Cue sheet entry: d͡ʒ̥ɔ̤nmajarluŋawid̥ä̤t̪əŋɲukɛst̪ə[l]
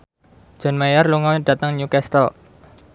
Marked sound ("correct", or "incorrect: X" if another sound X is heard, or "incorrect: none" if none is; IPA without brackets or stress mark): correct